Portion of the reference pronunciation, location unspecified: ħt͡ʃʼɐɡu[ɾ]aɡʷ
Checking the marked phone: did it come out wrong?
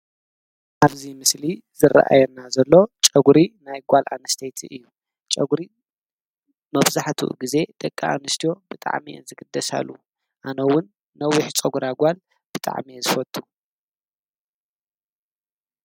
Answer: no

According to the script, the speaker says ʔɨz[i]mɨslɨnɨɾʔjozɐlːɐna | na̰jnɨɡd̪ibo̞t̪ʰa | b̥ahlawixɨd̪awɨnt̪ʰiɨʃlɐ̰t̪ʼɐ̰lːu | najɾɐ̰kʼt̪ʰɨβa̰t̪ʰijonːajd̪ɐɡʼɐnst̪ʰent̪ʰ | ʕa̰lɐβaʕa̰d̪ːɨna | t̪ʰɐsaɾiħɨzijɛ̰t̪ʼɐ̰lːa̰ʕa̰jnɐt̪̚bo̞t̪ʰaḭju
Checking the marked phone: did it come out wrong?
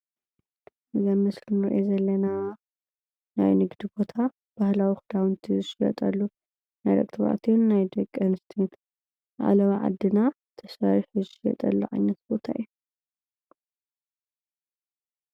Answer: yes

